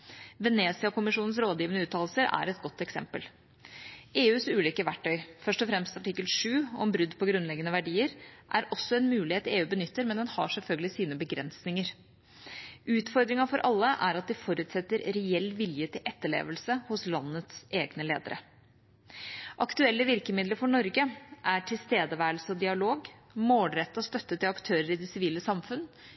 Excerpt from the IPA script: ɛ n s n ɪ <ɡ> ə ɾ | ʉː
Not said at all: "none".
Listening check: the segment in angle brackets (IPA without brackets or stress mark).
ŋ